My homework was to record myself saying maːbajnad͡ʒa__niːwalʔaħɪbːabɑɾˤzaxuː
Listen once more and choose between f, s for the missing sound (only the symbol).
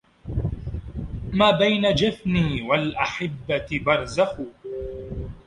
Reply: f